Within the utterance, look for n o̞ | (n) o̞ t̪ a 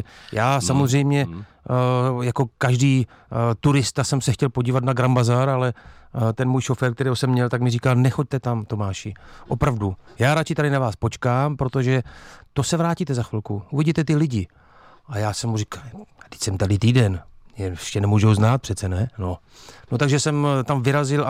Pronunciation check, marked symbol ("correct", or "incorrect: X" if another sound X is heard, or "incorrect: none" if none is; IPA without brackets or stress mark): correct